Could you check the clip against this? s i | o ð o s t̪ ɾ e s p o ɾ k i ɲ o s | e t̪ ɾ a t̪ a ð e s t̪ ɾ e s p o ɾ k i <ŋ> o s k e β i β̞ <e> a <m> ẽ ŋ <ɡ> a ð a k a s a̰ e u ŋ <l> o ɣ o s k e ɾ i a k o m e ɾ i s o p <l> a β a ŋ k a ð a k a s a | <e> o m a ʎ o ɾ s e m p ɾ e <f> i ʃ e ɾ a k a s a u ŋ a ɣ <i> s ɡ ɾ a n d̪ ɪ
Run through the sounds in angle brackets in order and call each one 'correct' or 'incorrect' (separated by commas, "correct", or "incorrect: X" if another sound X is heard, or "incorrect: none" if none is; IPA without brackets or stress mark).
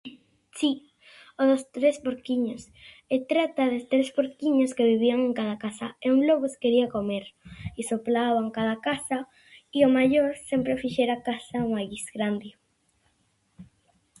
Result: incorrect: ɲ, incorrect: i, incorrect: ŋ, incorrect: k, correct, correct, incorrect: i, correct, correct